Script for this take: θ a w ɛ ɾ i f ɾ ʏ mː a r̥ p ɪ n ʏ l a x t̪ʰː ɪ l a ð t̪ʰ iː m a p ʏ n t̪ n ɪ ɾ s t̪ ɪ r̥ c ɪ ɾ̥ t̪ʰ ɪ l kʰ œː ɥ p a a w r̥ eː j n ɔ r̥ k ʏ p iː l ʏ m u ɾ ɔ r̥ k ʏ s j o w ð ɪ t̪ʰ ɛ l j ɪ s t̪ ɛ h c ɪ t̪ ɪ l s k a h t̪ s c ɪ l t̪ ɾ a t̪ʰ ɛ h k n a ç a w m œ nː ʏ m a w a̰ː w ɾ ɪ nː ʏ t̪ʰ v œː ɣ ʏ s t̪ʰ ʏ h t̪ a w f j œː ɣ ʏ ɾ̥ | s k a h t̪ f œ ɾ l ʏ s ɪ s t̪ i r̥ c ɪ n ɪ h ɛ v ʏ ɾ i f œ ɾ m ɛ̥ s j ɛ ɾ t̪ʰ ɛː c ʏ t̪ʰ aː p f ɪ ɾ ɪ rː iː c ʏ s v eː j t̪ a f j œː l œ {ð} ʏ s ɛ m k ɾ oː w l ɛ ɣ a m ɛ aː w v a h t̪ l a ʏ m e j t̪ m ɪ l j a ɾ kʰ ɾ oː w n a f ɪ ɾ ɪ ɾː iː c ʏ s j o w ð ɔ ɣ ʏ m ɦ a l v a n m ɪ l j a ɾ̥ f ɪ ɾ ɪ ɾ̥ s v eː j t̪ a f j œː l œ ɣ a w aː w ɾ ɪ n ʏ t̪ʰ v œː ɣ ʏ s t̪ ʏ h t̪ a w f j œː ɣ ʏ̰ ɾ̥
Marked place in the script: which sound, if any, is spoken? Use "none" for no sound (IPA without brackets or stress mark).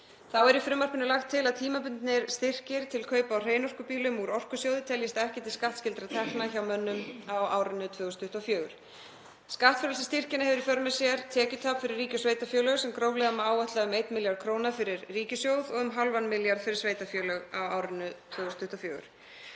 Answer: ɣ